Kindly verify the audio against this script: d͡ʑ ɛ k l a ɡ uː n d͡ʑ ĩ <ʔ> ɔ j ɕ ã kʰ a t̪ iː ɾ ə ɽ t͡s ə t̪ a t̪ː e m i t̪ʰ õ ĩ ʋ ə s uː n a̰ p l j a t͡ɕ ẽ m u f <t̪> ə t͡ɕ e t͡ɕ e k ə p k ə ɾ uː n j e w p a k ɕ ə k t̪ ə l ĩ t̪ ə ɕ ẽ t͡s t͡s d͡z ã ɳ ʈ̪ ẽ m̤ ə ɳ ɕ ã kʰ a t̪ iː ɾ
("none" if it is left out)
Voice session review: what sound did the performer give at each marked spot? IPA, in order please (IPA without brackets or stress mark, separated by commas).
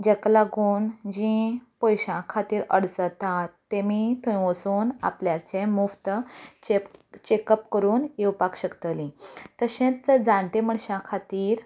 p, t̪